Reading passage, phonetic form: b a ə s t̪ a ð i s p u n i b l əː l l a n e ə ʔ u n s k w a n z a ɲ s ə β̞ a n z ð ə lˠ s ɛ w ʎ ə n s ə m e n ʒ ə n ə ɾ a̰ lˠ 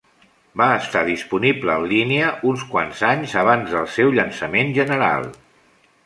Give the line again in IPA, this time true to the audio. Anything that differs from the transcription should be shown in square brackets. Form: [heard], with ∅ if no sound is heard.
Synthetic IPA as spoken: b a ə s t̪ a ð i s p u n i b l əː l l [i] n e ə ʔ u n s k w a n z a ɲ [z] ə β̞ a n z ð ə lˠ s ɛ w ʎ ə n s ə m e n ʒ ə n ə ɾ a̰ lˠ